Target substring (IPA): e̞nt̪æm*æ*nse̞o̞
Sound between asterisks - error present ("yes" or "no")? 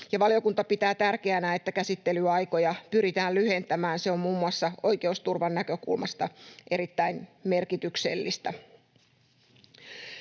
yes